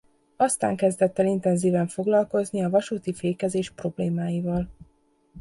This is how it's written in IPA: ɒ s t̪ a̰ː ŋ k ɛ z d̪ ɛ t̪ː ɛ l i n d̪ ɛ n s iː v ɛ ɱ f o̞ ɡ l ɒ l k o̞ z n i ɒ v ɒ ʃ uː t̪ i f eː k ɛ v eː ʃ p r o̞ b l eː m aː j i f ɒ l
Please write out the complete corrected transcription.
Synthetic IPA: ɒ s t̪ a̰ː ŋ k ɛ z d̪ ɛ t̪ː ɛ l i n t̪ ɛ n z iː v ɛ ɱ f o̞ ɡ l ɒ l k o̞ z n i ɒ v ɒ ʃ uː t̪ i f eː k ɛ z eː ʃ p r o̞ b l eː m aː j i v ɒ l